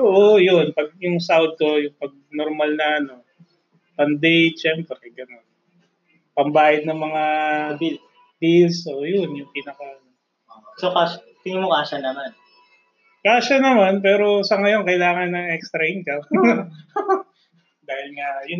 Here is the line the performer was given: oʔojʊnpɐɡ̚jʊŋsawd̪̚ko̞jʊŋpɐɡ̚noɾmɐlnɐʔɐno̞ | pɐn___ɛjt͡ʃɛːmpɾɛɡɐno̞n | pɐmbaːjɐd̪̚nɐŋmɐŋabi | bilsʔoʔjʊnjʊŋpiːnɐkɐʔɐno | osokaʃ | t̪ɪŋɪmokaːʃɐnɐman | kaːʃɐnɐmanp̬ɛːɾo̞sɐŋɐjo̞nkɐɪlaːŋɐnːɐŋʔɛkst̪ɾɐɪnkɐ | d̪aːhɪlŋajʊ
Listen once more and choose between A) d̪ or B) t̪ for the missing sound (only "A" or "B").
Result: A